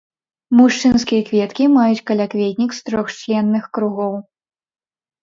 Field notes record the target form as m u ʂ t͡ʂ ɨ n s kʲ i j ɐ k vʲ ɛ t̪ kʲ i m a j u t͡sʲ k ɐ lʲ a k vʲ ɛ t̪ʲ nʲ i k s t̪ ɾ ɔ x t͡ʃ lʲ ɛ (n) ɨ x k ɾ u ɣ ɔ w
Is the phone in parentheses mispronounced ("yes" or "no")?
yes